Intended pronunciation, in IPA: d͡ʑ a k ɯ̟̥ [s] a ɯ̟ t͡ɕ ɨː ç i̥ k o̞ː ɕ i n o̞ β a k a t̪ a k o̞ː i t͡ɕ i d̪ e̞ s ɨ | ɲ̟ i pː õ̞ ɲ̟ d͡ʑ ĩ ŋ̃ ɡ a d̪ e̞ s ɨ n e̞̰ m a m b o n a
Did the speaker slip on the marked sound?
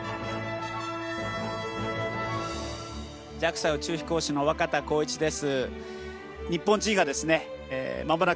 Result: no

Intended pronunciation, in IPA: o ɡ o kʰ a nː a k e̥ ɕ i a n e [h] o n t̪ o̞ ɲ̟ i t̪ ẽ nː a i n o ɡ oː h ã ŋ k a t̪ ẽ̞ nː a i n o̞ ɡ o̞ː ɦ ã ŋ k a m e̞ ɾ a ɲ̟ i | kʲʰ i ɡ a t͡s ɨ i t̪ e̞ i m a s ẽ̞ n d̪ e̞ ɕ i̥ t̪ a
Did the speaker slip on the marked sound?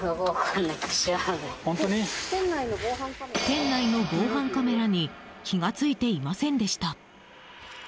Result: no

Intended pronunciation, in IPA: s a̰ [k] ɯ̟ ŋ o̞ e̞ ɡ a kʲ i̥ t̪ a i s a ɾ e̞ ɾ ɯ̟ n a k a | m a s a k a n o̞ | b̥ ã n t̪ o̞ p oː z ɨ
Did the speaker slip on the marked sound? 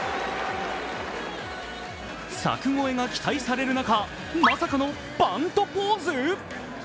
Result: no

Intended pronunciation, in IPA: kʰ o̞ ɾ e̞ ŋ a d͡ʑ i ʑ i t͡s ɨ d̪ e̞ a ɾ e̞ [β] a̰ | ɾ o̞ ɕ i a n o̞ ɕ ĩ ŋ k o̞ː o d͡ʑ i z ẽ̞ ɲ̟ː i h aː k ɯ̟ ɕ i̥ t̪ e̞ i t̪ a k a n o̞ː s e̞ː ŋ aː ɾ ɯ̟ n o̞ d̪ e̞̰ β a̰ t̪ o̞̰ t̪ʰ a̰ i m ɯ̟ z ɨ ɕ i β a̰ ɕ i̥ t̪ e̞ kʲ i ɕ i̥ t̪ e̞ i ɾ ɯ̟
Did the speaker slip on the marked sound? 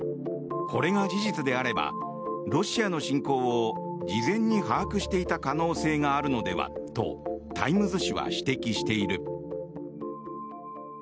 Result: yes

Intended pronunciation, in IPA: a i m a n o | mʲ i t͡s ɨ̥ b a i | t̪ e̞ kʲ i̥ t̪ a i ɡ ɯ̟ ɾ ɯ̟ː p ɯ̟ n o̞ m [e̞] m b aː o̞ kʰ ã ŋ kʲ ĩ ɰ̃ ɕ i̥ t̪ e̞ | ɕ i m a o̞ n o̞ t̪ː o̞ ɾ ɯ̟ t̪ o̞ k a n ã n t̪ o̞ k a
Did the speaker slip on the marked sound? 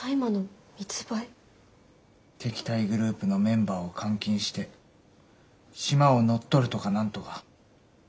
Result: yes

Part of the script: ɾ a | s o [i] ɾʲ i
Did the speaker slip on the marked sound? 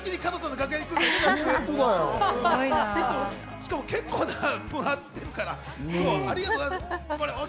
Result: yes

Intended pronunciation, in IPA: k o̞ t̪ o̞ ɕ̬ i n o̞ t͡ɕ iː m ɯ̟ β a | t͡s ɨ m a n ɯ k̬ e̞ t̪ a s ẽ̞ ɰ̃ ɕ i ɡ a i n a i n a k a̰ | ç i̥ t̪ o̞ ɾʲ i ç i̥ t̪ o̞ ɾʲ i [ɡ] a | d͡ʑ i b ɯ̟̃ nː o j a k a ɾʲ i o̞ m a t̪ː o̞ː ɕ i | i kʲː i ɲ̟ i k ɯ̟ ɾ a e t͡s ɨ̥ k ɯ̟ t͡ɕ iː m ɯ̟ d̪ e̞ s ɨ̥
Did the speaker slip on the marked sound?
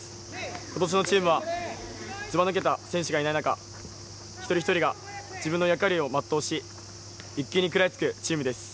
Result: no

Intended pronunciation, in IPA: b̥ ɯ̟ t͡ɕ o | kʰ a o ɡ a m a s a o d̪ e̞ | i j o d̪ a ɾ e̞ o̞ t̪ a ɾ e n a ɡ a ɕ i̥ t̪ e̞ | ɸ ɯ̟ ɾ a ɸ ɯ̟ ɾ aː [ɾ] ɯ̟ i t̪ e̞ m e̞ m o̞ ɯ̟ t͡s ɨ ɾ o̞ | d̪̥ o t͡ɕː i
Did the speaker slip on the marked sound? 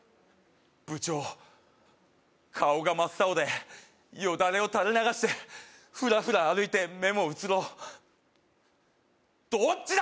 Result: no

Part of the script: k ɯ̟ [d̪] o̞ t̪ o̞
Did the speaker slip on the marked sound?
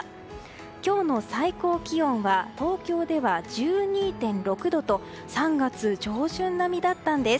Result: no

